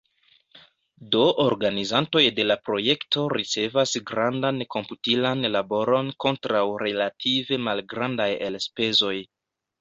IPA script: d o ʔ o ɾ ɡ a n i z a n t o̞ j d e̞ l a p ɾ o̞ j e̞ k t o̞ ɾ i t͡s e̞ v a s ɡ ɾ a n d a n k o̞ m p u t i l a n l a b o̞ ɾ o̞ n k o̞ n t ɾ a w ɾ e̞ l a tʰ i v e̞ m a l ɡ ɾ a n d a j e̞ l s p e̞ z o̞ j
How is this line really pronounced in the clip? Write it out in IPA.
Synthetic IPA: d o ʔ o ɾ ɡ a n i z a n t o̞ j d e̞ l a p ɾ o̞ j e̞ k t o̞ ɾ i t͡s e̞ v a s ɡ ɾ a n d a n k o̞ m p u t i l a n l a b o̞ ɾ o̞ n k o̞ n t ɾ a w ɾ e̞ l a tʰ i v e̞ m a l ɡ ɾ a n d a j e̞ l s p e̞ z o̞ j